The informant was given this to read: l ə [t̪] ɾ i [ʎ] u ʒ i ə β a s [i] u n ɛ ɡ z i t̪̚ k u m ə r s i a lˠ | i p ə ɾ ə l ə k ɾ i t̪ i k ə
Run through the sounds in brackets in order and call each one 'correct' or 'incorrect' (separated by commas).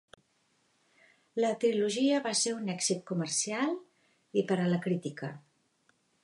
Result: correct, incorrect, incorrect